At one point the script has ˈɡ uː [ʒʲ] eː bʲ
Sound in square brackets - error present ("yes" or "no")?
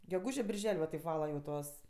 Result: no